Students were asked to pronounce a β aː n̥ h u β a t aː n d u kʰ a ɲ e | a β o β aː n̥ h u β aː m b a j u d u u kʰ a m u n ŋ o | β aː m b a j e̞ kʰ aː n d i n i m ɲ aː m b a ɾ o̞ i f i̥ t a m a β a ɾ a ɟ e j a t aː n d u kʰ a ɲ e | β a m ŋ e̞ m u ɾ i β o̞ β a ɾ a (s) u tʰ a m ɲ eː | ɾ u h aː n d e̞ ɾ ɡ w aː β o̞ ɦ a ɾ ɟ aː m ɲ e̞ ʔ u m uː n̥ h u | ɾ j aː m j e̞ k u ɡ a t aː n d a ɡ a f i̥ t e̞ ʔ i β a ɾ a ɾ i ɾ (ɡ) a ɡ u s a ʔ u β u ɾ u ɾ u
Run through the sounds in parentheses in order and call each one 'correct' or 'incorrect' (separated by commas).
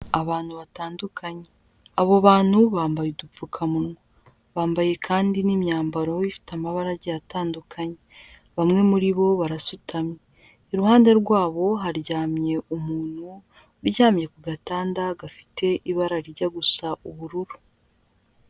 correct, incorrect